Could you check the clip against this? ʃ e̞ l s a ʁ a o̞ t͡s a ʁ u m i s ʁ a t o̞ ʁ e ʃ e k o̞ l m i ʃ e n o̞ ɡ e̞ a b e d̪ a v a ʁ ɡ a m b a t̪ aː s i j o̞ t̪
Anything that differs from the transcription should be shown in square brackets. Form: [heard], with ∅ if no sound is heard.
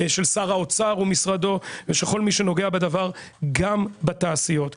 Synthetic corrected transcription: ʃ e̞ l s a ʁ a o̞ t͡s a ʁ u m i s ʁ a [d] o̞ [v] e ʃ e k o̞ l m i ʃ e n o̞ ɡ e̞ a b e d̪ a v a ʁ ɡ a m b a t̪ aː s i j o̞ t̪